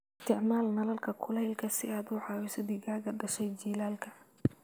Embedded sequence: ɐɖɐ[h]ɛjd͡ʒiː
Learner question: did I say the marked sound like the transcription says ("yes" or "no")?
no